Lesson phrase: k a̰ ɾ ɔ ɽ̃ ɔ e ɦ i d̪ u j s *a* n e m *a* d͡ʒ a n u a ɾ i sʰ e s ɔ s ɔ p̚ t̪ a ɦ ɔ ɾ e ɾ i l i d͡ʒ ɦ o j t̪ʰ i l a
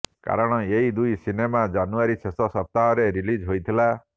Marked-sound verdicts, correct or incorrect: incorrect: i, correct

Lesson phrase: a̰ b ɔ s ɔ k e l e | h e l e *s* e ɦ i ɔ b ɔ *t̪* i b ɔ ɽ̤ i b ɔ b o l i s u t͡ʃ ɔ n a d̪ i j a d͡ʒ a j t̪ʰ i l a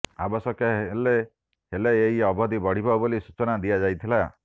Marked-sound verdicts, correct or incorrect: incorrect: none, incorrect: d̪

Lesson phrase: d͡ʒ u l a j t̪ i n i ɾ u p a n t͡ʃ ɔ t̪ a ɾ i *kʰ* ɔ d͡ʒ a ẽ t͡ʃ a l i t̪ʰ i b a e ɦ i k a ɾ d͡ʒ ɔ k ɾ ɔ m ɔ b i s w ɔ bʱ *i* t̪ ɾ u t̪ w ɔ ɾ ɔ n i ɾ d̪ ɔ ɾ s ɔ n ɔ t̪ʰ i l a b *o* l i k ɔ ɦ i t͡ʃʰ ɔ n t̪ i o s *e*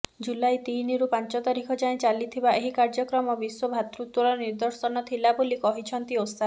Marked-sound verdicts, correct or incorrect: correct, incorrect: a, correct, incorrect: a

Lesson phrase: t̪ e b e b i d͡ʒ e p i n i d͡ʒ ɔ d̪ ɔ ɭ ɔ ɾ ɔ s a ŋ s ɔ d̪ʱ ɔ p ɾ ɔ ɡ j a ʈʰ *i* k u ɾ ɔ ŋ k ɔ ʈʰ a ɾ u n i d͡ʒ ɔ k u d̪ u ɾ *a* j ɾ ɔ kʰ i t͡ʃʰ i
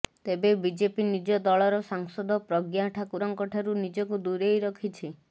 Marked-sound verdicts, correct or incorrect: incorrect: a, incorrect: e

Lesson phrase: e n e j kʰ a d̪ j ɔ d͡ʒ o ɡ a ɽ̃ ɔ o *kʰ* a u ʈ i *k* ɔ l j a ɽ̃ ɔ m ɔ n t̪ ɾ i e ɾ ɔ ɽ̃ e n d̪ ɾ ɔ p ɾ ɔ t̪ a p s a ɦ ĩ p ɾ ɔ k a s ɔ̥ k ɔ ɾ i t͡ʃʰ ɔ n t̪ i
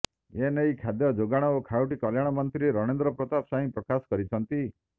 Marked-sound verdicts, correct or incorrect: correct, correct

